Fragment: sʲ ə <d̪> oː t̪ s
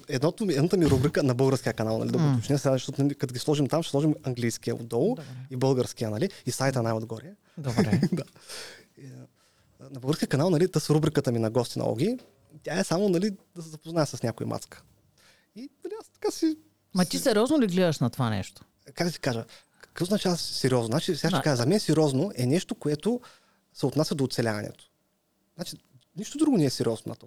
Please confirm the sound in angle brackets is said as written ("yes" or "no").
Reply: yes